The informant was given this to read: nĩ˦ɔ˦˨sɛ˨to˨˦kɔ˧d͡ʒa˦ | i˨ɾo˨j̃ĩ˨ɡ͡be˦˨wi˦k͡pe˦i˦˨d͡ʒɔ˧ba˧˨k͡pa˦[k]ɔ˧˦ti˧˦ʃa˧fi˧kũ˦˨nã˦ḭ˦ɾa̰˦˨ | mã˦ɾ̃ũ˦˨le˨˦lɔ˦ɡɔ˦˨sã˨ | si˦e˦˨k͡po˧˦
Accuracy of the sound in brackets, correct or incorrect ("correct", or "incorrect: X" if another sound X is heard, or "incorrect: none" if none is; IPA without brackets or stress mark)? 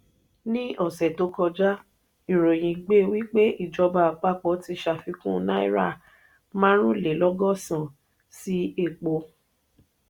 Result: incorrect: k͡p